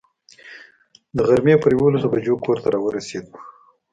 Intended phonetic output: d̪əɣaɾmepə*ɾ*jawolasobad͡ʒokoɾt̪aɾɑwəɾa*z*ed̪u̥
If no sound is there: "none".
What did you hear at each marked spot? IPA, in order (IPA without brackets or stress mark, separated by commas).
ɾ, s